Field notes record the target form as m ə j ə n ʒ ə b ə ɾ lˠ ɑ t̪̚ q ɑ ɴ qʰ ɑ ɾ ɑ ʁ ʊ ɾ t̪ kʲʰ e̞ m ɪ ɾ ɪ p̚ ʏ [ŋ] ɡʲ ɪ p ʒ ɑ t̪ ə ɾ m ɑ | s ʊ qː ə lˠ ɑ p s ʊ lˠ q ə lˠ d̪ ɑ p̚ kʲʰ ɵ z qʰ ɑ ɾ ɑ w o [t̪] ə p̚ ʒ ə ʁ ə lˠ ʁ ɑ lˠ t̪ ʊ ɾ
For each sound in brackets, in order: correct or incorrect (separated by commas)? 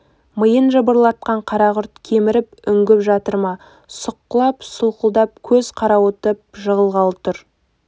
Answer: correct, correct